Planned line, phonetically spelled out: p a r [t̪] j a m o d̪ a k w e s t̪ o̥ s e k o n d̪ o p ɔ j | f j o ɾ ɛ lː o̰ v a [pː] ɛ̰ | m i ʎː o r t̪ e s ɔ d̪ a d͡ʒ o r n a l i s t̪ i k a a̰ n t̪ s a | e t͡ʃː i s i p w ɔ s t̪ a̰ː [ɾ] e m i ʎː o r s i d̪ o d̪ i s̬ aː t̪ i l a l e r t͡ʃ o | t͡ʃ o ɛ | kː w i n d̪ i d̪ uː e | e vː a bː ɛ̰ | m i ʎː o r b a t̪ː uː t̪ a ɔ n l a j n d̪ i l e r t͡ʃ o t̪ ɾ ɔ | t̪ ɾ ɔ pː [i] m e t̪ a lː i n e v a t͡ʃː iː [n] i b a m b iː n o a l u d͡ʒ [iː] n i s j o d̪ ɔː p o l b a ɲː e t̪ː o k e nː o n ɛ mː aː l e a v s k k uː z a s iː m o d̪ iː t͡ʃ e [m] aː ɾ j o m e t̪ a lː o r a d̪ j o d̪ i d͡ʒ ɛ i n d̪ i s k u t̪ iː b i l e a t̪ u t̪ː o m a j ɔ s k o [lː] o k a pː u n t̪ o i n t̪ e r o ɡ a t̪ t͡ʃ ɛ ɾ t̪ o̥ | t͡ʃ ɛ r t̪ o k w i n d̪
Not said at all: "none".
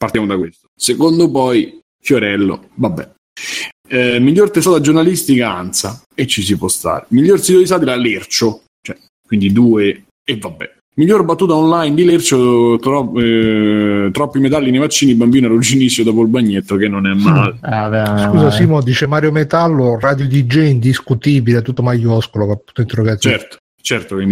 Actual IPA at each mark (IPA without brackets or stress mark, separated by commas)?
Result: t̪, bː, ɾ, i, n, i, m, l